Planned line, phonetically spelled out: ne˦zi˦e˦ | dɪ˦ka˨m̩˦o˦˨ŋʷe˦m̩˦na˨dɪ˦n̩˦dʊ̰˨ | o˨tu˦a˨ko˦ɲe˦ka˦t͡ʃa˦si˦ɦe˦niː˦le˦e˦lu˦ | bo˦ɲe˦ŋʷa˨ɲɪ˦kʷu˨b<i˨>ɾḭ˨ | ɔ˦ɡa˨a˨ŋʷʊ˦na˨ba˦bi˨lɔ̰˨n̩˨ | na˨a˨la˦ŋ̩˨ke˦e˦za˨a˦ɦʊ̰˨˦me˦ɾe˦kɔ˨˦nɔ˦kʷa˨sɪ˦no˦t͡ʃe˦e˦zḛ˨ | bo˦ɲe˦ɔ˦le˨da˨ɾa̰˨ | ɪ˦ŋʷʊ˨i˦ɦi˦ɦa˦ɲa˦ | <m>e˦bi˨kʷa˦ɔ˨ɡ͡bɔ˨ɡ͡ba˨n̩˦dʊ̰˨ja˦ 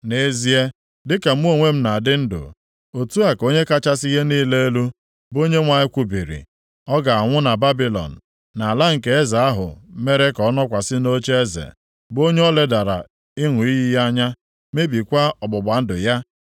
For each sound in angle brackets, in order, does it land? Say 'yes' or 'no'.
yes, yes

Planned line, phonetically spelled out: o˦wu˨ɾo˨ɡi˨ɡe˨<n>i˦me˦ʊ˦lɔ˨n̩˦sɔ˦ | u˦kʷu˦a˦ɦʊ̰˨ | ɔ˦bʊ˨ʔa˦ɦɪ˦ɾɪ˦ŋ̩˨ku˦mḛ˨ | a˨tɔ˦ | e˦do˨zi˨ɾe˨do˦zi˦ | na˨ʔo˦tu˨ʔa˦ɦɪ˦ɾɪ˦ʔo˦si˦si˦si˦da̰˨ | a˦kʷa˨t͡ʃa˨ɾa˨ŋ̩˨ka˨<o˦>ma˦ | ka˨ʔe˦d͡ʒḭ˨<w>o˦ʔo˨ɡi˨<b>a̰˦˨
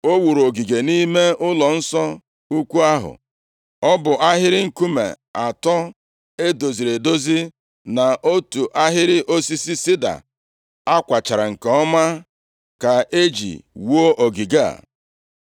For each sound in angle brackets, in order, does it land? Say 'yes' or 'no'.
yes, no, yes, no

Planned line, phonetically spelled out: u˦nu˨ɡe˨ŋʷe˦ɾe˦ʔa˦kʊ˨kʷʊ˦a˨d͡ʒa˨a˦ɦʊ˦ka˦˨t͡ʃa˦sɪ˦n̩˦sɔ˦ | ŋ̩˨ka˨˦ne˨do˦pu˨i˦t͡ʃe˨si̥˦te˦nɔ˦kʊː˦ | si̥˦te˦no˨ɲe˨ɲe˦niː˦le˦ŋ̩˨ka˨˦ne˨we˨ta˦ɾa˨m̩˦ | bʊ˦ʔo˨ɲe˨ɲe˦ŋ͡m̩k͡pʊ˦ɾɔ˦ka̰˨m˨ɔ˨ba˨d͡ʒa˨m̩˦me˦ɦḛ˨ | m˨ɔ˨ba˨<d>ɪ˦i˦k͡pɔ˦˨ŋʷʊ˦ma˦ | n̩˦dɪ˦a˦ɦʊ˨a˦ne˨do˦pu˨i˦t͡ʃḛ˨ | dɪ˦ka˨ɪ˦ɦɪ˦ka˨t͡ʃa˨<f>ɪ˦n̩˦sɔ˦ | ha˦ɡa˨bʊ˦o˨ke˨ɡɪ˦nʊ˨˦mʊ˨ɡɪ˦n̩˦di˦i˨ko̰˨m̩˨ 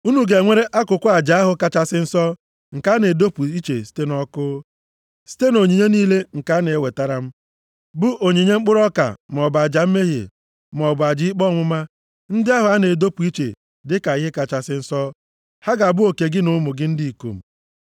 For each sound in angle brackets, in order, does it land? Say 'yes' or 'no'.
no, no

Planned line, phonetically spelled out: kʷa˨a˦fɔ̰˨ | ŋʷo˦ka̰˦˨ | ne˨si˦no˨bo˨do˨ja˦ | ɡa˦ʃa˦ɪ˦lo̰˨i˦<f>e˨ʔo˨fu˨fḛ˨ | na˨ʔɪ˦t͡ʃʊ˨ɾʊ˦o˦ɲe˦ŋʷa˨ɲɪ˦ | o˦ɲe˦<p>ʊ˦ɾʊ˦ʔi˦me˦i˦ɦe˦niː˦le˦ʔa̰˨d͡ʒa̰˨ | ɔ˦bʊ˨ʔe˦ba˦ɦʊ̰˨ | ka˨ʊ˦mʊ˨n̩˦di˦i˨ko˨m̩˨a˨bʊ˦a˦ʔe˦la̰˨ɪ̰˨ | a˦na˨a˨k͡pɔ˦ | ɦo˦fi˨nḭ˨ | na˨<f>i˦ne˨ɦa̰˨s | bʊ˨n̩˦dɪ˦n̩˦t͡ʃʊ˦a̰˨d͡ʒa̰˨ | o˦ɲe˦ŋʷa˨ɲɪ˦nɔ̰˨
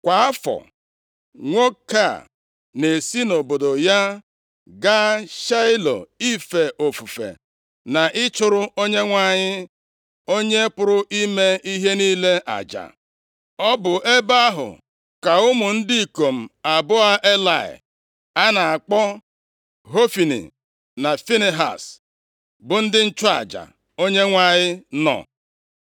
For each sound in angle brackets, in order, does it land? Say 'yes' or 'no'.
yes, yes, yes

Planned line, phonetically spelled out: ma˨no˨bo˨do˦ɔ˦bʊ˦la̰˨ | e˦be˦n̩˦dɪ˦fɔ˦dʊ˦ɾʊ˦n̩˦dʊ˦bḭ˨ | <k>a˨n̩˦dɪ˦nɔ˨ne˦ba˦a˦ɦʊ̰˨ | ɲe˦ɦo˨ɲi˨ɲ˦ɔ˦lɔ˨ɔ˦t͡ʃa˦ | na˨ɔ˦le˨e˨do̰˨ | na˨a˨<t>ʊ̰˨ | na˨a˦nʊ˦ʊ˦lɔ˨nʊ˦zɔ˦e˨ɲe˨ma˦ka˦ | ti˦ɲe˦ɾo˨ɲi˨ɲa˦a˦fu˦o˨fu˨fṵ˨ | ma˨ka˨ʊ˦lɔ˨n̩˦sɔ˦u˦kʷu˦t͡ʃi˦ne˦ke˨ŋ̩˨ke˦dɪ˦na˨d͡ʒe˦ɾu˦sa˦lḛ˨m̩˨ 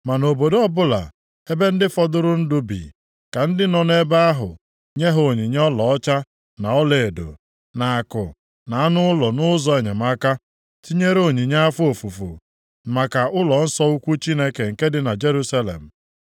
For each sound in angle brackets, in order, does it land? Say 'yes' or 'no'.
yes, no

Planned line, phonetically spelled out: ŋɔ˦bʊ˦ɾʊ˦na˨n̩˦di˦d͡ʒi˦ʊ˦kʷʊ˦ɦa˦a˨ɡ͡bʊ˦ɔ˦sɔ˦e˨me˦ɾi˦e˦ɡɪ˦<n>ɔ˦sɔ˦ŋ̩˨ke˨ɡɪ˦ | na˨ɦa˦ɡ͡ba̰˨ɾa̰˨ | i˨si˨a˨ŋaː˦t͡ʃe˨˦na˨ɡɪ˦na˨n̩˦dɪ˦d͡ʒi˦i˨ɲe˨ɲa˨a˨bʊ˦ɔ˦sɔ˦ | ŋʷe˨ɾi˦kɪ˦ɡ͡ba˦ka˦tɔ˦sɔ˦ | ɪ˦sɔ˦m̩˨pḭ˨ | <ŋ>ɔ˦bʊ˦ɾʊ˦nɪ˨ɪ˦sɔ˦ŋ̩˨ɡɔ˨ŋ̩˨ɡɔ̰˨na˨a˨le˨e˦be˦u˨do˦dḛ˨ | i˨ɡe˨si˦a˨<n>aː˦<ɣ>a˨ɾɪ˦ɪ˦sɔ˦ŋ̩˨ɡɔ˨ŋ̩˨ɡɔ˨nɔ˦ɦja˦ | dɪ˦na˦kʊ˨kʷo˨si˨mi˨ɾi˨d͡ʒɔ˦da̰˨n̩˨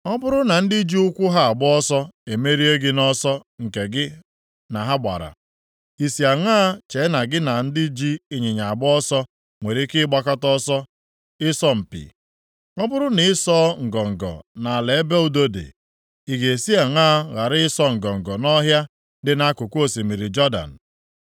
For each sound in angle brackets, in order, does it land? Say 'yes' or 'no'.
yes, yes, no, yes

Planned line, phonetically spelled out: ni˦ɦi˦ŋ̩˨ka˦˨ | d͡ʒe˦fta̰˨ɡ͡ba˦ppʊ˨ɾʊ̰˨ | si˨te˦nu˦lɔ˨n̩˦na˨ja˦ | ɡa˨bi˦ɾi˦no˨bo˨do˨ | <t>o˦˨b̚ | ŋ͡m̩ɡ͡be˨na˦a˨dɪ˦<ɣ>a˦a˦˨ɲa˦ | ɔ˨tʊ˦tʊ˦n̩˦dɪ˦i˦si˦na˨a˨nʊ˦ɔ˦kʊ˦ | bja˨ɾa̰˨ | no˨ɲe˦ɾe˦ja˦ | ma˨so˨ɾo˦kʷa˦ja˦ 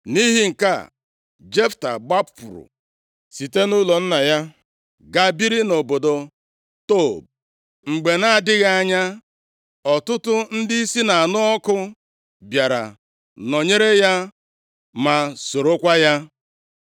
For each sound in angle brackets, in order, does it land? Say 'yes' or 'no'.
yes, yes

